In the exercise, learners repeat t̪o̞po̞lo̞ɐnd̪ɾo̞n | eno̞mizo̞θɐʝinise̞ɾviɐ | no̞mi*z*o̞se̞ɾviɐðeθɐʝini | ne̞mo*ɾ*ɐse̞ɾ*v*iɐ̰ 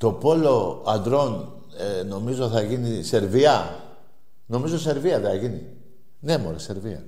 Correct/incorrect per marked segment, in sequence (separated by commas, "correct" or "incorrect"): correct, correct, correct